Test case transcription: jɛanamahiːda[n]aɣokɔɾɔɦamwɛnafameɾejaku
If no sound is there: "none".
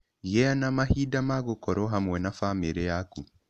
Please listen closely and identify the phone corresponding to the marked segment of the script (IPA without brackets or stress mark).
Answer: m